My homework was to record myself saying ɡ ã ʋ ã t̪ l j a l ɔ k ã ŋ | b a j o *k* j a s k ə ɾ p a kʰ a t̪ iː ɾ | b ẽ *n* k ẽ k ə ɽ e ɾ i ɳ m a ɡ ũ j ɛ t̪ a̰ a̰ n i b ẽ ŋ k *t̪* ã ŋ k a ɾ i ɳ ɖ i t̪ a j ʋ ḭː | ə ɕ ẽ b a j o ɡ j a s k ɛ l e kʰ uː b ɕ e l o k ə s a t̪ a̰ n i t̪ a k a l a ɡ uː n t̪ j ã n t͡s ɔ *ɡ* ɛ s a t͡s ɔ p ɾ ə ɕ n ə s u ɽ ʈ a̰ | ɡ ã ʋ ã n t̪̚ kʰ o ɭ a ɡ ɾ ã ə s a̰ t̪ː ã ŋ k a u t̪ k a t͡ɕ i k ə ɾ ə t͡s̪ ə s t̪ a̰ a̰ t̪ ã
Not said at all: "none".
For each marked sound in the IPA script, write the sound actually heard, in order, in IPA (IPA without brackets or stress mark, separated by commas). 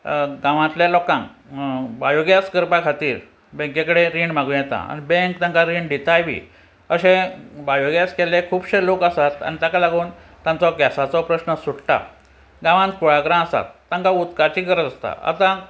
ɡ, ŋ, t̪, ɡ